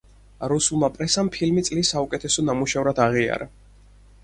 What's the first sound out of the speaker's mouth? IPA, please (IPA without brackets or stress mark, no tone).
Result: ɾ